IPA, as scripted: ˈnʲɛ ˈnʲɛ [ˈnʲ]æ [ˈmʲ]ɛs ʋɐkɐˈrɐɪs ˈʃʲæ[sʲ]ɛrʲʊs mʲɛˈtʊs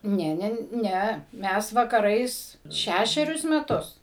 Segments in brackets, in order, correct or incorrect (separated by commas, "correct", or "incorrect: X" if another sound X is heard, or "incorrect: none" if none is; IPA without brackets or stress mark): correct, correct, incorrect: ʃʲ